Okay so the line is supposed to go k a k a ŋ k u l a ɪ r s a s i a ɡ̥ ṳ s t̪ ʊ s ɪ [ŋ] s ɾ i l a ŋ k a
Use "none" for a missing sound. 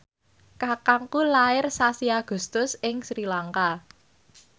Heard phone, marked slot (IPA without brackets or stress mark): ŋ